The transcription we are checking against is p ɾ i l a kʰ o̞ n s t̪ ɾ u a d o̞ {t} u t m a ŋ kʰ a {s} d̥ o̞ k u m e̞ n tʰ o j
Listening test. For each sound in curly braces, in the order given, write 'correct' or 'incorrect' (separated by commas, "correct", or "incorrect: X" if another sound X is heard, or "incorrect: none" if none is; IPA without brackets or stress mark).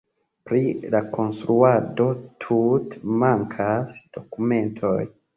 incorrect: tʰ, correct